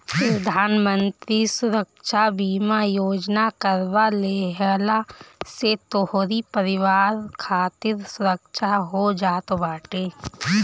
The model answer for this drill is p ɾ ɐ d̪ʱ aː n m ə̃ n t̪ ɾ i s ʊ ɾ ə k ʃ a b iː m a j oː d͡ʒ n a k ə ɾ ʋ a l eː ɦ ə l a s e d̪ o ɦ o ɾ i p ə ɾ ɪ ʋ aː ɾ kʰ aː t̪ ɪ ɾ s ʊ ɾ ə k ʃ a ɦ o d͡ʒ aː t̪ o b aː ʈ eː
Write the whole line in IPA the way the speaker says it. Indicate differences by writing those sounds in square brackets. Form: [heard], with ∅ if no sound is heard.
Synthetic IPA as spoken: p ɾ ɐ d̪ʱ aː n m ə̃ n t̪ ɾ i s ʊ ɾ ə k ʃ a b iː m a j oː d͡ʒ n a k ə ɾ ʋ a l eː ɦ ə l a s e [t̪] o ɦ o ɾ i p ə ɾ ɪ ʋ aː ɾ kʰ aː t̪ ɪ ɾ s ʊ ɾ ə k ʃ a ɦ o d͡ʒ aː t̪ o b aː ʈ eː